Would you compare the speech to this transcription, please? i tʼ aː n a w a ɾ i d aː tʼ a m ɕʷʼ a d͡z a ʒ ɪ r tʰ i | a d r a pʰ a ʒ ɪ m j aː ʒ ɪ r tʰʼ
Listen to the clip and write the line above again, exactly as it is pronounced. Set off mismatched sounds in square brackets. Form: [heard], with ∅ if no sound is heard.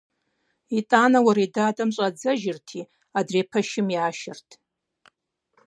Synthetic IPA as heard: i tʼ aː n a w a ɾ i d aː tʼ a m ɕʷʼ a d͡z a ʒ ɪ r tʰ i | a d r [e] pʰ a [ʃ] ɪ m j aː [ʃ] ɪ r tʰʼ